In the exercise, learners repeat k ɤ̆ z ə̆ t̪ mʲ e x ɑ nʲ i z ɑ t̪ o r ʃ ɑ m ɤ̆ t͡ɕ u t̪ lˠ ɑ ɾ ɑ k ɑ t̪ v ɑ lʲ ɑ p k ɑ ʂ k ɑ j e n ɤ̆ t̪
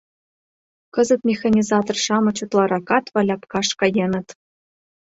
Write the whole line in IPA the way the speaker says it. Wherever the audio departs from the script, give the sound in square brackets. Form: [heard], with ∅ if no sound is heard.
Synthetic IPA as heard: k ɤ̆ z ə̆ t̪ mʲ e x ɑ nʲ i z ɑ t̪ o r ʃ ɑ m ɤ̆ t͡ɕ u t̪ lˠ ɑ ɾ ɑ k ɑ t̪ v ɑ lʲ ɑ p k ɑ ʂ k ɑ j e n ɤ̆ t̪